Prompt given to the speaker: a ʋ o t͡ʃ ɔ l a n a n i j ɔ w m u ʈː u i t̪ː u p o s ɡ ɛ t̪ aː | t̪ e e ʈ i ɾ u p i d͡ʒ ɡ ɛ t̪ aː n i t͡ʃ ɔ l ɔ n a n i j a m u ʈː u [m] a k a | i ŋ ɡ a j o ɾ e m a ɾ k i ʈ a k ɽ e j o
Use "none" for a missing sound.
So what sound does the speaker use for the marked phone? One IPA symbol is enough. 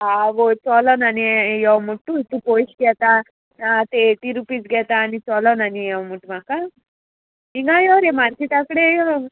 m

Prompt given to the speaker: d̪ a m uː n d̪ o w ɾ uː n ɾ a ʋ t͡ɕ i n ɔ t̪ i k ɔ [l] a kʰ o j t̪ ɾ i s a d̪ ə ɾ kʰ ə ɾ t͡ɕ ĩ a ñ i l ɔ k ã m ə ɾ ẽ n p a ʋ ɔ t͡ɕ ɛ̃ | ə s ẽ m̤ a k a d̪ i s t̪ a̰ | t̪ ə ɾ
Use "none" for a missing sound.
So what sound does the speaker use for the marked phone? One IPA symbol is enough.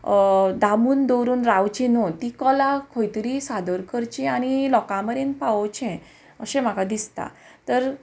l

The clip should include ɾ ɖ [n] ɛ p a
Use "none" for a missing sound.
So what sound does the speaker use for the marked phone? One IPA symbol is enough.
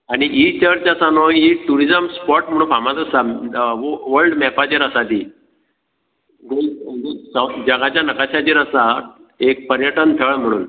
m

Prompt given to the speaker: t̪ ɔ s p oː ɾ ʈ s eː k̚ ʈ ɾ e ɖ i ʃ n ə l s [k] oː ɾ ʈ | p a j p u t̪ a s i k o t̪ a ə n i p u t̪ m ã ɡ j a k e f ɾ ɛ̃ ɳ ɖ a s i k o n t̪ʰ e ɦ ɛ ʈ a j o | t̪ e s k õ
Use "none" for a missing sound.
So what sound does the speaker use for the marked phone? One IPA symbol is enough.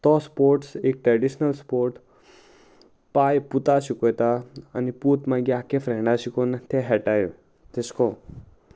p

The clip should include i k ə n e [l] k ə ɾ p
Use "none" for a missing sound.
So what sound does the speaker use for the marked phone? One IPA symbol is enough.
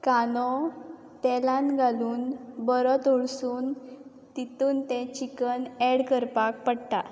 ɽ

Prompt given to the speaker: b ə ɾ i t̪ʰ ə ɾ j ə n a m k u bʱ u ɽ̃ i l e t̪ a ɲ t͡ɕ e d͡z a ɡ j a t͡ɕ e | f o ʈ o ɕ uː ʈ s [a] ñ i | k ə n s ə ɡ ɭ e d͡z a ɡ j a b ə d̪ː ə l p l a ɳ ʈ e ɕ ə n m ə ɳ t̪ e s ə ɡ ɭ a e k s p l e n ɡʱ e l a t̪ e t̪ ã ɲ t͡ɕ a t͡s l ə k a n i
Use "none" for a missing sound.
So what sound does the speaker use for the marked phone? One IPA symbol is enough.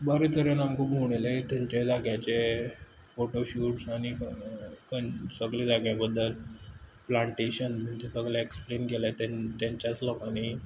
a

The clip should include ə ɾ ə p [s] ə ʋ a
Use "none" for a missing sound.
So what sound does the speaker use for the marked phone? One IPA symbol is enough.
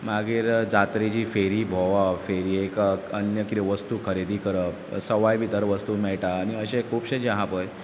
s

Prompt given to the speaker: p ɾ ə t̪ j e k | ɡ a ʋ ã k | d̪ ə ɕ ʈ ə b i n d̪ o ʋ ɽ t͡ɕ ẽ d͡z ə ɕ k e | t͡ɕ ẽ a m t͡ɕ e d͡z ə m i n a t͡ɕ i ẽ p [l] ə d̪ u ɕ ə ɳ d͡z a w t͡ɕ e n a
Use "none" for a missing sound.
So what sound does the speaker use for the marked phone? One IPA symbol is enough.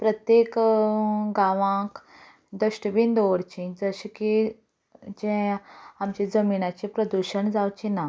ɾ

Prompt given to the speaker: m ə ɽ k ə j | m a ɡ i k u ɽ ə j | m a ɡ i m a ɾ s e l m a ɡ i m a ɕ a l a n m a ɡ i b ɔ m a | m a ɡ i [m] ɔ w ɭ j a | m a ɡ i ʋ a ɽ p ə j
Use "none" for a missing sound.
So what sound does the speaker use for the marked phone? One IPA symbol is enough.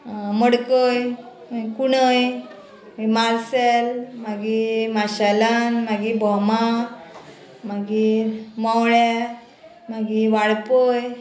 m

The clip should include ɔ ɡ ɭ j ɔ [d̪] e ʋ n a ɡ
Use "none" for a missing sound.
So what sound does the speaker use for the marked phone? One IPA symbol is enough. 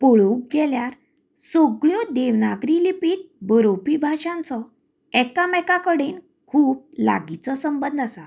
d̪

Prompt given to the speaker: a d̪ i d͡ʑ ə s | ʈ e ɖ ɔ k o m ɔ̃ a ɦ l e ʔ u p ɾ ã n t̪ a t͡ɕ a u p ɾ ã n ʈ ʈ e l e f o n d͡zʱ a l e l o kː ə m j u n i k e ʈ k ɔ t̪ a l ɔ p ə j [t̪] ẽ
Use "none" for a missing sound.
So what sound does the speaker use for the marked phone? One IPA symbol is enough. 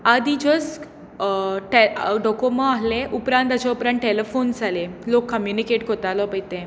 t̪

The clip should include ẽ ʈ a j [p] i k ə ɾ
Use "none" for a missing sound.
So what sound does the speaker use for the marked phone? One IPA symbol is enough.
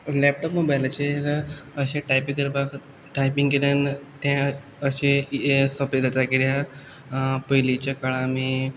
p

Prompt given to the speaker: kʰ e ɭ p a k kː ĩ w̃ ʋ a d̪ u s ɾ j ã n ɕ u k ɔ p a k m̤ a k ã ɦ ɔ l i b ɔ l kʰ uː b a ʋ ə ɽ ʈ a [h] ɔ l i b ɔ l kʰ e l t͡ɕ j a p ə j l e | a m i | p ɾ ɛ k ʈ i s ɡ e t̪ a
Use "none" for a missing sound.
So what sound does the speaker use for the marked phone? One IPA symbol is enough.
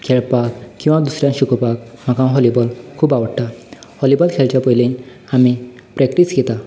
h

